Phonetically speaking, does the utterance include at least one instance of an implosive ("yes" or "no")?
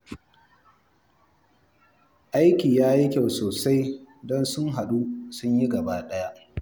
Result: yes